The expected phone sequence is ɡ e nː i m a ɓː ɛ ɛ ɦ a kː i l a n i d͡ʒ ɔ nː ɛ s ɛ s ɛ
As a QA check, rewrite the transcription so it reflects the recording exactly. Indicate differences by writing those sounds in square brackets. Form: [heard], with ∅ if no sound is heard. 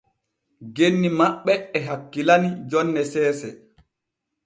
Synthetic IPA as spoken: ɡ e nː i m a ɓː ɛ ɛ ɦ a kː i l a n i d͡ʒ ɔ nː ɛ s [ɛː] s ɛ